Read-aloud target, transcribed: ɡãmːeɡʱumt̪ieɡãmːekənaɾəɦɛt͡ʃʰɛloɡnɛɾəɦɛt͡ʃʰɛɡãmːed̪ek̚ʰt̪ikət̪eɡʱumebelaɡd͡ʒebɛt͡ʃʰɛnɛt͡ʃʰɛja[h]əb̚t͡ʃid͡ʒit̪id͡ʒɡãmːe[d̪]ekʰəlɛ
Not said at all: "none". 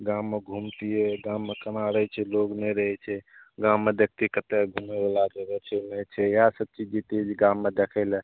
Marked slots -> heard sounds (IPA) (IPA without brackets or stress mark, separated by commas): s, d̪